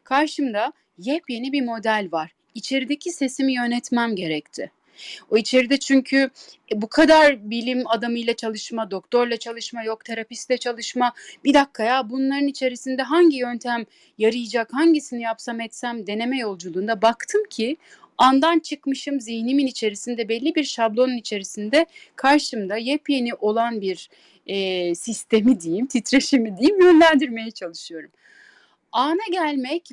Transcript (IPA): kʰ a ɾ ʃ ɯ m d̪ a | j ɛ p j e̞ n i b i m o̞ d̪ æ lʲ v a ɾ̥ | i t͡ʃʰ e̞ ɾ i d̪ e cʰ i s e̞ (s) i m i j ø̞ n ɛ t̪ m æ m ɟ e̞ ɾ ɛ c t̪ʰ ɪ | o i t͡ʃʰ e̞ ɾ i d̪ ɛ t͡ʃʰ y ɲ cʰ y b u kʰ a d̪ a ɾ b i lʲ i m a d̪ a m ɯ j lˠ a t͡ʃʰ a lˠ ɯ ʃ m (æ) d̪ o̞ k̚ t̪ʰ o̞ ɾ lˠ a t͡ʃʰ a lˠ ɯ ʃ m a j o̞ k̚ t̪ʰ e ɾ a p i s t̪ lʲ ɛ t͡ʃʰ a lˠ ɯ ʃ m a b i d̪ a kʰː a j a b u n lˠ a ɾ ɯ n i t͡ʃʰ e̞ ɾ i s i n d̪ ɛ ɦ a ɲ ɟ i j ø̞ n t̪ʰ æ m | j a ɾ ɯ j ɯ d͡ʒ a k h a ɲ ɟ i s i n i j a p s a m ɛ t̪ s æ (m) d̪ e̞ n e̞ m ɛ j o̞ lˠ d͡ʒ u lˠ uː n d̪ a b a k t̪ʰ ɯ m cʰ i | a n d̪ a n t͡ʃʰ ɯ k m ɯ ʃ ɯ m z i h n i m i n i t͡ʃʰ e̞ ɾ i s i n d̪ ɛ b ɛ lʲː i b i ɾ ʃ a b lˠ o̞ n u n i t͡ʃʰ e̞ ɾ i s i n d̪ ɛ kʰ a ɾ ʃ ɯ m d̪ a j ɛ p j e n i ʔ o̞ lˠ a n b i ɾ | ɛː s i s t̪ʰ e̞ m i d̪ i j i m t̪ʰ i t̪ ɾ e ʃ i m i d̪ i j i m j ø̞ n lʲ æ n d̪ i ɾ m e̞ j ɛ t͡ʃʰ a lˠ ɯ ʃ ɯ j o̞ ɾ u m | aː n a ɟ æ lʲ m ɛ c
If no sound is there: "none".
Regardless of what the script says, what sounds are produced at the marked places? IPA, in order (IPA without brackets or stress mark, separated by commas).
s, a, m